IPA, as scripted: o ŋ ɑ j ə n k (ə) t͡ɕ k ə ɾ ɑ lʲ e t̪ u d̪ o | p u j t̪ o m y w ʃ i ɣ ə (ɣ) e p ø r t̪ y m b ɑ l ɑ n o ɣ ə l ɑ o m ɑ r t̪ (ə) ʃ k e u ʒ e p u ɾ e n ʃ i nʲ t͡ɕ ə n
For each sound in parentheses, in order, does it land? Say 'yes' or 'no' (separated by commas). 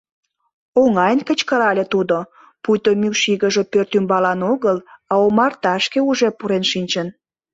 yes, no, no